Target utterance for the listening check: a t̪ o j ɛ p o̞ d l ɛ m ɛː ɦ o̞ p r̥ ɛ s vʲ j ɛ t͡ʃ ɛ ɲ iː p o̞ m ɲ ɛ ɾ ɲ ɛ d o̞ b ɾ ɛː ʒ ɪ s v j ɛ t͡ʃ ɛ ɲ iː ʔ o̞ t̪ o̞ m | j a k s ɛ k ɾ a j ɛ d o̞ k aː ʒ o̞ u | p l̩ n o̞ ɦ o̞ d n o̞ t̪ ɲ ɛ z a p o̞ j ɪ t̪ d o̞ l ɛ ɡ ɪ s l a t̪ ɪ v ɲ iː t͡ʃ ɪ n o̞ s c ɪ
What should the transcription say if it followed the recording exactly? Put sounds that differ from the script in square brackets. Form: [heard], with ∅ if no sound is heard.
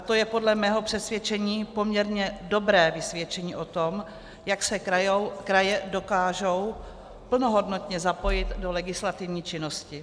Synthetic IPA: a t̪ o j ɛ p o̞ d l ɛ m ɛː ɦ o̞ p r̥ ɛ s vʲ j ɛ t͡ʃ ɛ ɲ iː p o̞ m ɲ ɛ ɾ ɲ ɛ d o̞ b ɾ ɛː [v] ɪ s v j ɛ t͡ʃ ɛ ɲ iː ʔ o̞ t̪ o̞ m | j a k s ɛ k ɾ a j ɛ d o̞ k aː ʒ o̞ [w] | p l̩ n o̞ ɦ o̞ d n o̞ t̪ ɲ ɛ z a p o̞ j ɪ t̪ d o̞ l ɛ ɡ ɪ s l a t̪ ɪ v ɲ iː t͡ʃ ɪ n o̞ s c ɪ